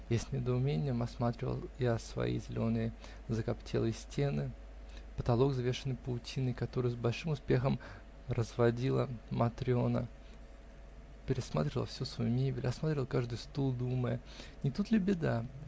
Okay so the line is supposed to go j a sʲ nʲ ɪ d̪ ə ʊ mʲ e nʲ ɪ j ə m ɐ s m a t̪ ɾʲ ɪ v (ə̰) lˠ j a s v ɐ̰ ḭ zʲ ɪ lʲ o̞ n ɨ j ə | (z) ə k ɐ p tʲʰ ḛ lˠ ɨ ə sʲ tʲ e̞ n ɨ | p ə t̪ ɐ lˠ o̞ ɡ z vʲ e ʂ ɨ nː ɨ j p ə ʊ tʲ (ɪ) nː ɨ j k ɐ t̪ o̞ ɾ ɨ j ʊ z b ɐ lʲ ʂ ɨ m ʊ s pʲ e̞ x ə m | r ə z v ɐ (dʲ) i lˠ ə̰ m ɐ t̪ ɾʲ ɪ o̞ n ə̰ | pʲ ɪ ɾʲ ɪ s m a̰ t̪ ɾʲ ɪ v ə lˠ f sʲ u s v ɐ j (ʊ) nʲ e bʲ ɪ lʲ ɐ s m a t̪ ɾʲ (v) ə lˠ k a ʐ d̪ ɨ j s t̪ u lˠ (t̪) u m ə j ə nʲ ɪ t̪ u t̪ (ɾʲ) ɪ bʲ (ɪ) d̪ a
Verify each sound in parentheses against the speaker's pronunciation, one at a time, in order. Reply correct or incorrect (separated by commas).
correct, correct, incorrect, correct, incorrect, correct, incorrect, incorrect, correct